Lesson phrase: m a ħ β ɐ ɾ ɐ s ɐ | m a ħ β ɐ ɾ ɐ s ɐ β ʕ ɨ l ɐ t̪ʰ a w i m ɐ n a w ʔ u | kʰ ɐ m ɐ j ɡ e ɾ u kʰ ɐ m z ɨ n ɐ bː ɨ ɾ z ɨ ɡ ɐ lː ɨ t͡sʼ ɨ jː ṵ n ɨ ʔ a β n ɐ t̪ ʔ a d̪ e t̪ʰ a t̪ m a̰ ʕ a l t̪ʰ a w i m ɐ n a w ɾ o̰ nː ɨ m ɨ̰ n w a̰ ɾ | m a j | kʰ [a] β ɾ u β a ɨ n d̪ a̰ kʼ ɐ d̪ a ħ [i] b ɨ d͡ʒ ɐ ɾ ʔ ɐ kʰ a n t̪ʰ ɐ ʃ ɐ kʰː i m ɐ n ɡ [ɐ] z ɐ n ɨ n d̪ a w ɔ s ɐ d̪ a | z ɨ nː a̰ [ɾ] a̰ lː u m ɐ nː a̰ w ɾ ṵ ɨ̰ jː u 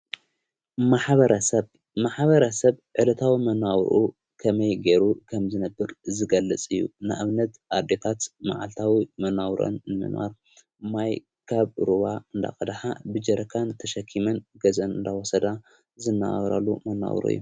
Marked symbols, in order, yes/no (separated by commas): yes, no, yes, yes